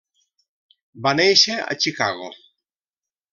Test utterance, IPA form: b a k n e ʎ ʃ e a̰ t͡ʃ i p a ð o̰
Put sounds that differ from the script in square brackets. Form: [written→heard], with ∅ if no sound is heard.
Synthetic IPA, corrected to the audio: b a [k→∅] n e [ʎ→j] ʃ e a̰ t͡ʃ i [p→k] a [ð→ɣ] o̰